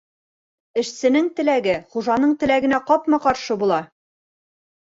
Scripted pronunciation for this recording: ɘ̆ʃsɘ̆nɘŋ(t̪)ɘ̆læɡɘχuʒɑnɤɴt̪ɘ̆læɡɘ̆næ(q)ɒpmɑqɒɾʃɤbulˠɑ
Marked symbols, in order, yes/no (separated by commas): yes, yes